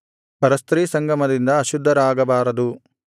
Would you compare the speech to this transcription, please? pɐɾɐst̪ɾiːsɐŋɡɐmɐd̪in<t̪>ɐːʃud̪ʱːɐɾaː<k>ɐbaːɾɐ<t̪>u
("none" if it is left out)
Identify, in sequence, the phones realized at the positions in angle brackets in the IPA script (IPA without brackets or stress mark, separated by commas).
d̪, ɡ, d̪